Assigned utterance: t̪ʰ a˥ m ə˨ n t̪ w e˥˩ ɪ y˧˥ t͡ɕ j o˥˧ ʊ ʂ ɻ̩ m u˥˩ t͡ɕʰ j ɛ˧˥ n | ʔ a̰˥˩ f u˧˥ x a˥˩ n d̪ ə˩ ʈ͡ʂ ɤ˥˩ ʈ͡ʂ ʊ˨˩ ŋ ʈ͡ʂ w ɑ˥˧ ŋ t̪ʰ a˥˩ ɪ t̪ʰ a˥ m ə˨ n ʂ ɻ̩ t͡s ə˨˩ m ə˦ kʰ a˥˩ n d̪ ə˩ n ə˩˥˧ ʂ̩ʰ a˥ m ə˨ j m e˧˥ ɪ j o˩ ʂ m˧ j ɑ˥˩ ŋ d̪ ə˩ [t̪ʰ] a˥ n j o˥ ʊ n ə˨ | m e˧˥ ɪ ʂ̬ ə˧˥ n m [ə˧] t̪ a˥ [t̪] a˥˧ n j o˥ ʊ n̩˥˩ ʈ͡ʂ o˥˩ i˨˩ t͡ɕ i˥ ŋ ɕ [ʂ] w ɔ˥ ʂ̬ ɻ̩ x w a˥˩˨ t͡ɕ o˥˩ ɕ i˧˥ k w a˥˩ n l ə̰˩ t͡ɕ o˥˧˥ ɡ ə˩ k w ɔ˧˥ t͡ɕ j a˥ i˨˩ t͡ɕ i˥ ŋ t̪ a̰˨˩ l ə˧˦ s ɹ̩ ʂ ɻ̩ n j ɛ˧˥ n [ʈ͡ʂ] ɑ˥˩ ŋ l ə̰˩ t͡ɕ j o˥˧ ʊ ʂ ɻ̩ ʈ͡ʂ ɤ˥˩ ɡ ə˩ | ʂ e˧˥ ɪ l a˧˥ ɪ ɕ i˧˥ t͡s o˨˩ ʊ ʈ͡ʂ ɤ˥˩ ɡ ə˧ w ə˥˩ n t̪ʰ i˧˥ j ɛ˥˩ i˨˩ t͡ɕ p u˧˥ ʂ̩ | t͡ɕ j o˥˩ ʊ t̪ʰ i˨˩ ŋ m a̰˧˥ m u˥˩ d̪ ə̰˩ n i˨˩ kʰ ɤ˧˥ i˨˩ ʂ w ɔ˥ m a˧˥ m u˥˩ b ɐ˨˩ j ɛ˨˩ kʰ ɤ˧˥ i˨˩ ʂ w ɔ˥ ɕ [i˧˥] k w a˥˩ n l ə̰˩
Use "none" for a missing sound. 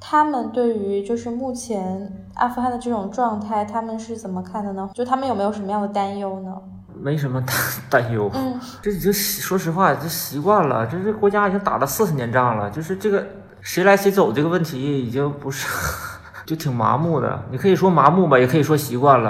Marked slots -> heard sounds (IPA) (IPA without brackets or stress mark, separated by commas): t̪, ə˧, t̪, ʂ, ʈ͡ʂ, i˧˥